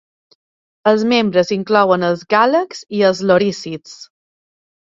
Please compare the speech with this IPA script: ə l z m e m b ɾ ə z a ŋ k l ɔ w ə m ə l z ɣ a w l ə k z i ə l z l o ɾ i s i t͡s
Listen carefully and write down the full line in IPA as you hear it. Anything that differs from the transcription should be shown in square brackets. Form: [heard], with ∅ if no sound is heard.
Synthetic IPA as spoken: ə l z m e m b ɾ ə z [i] ŋ k l ɔ w ə [n] ə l z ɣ a [∅] l ə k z i ə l z l o ɾ i s i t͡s